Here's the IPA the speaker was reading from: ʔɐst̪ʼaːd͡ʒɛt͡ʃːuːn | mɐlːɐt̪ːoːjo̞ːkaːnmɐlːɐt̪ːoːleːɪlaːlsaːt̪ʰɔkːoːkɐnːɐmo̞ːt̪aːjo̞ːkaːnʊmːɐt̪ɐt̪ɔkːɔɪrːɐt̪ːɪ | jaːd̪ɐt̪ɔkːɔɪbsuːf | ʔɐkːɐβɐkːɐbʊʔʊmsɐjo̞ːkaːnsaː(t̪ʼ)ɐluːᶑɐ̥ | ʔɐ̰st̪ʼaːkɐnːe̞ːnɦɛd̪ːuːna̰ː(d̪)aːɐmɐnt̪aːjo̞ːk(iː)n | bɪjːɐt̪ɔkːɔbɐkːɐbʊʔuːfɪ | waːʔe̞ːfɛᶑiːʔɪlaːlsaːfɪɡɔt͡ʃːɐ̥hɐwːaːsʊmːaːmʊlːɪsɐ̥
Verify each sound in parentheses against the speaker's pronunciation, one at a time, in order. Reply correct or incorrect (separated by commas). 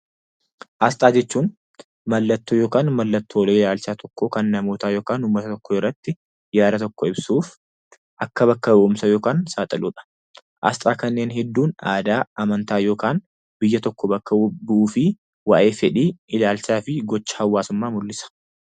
correct, correct, incorrect